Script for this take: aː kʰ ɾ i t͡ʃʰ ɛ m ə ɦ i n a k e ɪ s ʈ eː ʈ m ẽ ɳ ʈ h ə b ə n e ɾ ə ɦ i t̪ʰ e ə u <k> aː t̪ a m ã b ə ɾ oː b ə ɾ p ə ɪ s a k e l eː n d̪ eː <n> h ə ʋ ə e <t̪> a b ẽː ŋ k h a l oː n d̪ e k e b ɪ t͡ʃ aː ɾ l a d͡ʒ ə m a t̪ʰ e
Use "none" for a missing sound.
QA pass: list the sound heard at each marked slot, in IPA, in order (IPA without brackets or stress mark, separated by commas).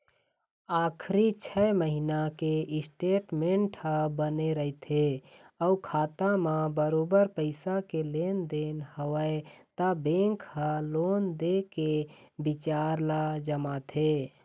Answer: kʰ, n, t̪